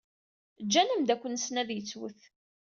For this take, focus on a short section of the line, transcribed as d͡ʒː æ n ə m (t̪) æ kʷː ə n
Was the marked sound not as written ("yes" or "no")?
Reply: yes